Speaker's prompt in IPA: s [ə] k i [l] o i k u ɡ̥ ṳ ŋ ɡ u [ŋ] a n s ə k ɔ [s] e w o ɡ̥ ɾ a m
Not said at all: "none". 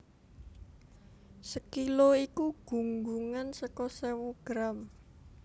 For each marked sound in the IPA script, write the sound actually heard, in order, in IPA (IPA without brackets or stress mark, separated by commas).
ə, l, ŋ, s